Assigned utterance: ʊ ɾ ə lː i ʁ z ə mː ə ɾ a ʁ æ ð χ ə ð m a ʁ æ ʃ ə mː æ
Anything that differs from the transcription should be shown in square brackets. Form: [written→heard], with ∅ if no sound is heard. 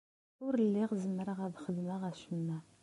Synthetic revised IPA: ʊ ɾ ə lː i ʁ z ə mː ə ɾ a ʁ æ ð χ ə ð m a ʁ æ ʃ ə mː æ